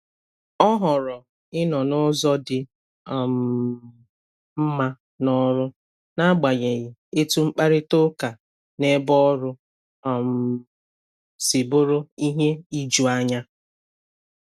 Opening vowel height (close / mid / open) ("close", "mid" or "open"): mid